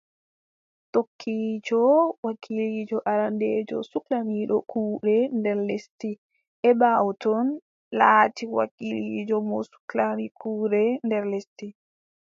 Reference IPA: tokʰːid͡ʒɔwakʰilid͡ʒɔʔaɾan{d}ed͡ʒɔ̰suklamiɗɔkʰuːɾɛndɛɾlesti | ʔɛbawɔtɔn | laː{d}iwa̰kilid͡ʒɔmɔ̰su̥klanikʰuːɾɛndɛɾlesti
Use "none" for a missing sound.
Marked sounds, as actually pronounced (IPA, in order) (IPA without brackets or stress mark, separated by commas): d, t